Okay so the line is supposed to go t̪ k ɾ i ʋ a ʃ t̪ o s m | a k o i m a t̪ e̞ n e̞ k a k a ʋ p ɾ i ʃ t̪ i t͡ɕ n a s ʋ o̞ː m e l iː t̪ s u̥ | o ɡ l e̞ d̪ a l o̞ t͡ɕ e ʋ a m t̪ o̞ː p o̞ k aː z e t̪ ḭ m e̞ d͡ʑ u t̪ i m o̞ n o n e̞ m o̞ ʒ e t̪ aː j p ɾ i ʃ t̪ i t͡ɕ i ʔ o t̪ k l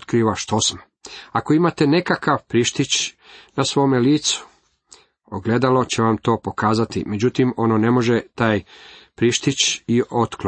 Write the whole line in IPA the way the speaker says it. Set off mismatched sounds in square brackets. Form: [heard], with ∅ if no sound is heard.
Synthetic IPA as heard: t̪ k ɾ i ʋ a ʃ t̪ o s m | a k o i m a t̪ e̞ n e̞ k a k a ʋ p ɾ i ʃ t̪ i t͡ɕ n a s ʋ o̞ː m e l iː t̪ s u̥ | o ɡ l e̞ d̪ a l o̞ t͡ɕ e ʋ a m t̪ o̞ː p o̞ k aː z [a] t̪ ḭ m e̞ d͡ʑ u t̪ i m o̞ n o n e̞ m o̞ ʒ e t̪ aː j p ɾ i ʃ t̪ i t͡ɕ i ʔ o t̪ k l